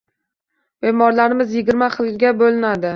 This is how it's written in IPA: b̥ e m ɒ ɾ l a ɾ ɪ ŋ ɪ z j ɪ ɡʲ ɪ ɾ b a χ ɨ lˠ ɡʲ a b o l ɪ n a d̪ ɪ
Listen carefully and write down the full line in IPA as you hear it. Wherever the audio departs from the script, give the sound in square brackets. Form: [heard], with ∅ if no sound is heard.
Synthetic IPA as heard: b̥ e m ɒ ɾ l a ɾ ɪ [m] ɪ z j ɪ ɡʲ ɪ ɾ [m] a χ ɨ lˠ ɡʲ a b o l ɪ n a d̪ ɪ